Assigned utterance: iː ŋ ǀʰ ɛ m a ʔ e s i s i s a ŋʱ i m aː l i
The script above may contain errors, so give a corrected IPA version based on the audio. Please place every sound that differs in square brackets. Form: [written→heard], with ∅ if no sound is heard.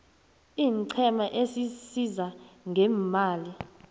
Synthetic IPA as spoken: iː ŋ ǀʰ ɛ m a ʔ e s i s i [s→z] a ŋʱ [i→ɛ] m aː l i

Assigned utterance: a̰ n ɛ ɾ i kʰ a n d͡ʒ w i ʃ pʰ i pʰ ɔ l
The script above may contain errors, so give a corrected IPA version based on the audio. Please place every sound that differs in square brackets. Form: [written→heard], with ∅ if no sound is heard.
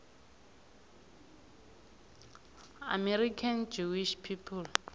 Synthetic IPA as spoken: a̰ [n→m] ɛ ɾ i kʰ a n d͡ʒ [w→u] i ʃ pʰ i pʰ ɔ l

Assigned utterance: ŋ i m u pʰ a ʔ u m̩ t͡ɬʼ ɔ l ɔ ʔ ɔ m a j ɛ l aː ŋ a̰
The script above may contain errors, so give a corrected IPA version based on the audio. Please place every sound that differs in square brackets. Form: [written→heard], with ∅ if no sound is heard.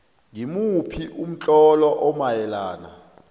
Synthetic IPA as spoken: ŋ i m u pʰ [a→i] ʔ u m̩ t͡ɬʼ ɔ l ɔ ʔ ɔ m a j ɛ l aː [ŋ→n] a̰

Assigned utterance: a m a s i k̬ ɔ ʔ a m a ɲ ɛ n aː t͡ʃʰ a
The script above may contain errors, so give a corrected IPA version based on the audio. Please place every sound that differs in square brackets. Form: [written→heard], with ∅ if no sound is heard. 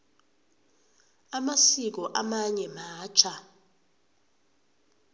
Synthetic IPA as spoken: a m a s i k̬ ɔ ʔ a m a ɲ ɛ [n→m] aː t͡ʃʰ a

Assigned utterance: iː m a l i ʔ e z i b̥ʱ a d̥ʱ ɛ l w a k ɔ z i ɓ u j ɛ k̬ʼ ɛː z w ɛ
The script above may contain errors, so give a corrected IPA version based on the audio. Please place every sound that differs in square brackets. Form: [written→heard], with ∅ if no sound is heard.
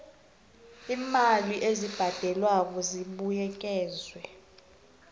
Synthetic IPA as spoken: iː m a l i ʔ e z i b̥ʱ a d̥ʱ ɛ l w a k ɔ z i ɓ u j ɛ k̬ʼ ɛː z w ɛ

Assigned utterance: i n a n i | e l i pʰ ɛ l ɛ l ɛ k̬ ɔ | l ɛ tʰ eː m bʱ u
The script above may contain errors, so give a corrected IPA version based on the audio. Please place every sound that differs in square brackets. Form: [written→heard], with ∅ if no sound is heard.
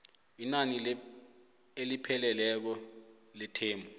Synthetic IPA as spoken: i n a n i | e l i pʰ ɛ l ɛ l ɛ k̬ ɔ | l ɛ tʰ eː m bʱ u

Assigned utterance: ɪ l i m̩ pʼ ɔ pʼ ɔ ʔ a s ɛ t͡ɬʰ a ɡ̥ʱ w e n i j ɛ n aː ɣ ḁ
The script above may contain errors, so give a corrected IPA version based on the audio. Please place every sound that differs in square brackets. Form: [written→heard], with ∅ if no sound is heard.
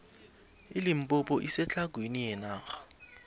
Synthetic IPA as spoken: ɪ l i m̩ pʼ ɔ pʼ ɔ ʔ [a→i] s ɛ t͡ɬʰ a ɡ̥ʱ w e n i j ɛ n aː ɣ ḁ

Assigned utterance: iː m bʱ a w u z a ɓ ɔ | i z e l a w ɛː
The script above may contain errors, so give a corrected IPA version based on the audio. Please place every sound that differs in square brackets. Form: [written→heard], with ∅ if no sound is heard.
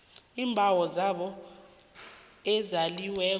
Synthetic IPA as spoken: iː m bʱ a w [u→ɔ] z a ɓ ɔ | [i→ɛ] z [e→a] l [a→i] w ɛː

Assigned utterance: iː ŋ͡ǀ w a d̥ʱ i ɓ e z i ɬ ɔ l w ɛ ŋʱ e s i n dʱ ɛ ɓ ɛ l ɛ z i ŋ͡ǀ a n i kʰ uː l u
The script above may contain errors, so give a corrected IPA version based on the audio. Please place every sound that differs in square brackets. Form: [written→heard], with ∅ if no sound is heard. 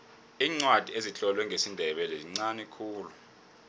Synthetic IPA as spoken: iː ŋ͡ǀ w a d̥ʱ i [ɓ→∅] e z i ɬ ɔ l w ɛ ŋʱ e s i n dʱ ɛ ɓ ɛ l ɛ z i ŋ͡ǀ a n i kʰ uː l u

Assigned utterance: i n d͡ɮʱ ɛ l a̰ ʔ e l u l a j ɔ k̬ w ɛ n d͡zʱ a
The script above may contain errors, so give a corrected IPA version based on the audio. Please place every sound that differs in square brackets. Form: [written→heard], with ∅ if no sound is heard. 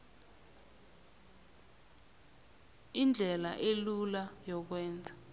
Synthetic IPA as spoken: i n d͡ɮʱ ɛ l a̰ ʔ e l u l a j ɔ k̬ w [ɛ→ɛː] n d͡zʱ a

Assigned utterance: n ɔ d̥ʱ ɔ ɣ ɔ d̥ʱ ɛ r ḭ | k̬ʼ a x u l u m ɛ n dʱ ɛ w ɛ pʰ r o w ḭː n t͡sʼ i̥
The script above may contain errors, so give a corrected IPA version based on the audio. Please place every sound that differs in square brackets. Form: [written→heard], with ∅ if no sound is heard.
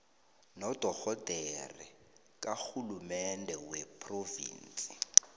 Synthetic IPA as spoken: n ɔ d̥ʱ ɔ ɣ ɔ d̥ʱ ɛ r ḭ | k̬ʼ a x u l u m ɛ n dʱ ɛ w ɛ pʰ r o [w→v] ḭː n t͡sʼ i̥

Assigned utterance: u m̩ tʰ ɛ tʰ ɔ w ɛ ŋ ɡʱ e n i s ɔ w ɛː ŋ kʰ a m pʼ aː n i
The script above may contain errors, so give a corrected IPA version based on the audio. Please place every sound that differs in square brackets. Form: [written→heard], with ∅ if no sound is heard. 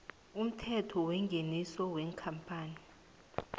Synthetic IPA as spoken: u m̩ tʰ ɛ tʰ ɔ w ɛ ŋ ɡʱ e n i s ɔ w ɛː ŋ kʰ a m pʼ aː n i

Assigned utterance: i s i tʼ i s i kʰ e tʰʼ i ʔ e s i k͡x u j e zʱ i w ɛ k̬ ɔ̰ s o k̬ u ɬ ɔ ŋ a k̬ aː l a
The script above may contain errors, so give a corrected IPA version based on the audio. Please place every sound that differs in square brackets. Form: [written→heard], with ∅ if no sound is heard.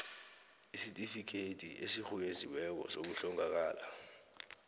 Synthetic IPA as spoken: i s i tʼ i [s→f] i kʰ e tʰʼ i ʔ e s i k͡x u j e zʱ i w ɛ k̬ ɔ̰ s o k̬ u ɬ ɔ ŋ a k̬ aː l a

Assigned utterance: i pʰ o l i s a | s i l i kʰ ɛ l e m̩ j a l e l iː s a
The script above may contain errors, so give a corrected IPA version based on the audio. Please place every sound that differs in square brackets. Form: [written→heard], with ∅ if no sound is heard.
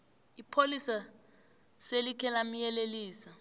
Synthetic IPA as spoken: i pʰ o l i s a | s [i→e] l i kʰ ɛ l [e→a] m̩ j [a→ɛ] l e l iː s a

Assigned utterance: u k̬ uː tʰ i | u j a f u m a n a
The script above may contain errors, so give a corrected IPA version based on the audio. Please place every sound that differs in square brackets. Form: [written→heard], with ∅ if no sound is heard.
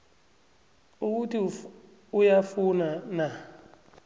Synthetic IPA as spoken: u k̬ [uː→u] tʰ i | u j a f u [m→n] a n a

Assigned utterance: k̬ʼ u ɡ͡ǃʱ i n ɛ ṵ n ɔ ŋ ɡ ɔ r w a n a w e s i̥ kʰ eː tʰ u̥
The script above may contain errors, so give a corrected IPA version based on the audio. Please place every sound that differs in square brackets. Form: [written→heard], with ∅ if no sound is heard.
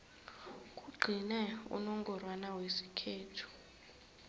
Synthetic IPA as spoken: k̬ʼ u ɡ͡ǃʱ i n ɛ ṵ n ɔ ŋ ɡ ɔ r w a n a w e s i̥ kʰ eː tʰ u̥

